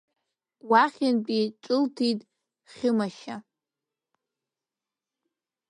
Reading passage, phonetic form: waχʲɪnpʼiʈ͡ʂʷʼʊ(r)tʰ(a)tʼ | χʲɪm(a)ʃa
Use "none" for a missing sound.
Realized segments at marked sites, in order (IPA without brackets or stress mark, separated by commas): l, i, a